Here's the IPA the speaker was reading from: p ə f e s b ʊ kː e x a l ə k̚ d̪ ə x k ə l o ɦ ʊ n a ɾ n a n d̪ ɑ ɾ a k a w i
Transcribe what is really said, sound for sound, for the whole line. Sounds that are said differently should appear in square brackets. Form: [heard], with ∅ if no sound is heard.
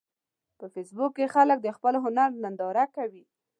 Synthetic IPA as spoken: p ə f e s b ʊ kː e x a l ə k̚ d̪ ə x [p] ə l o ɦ ʊ n a ɾ n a n d̪ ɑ ɾ a k a w i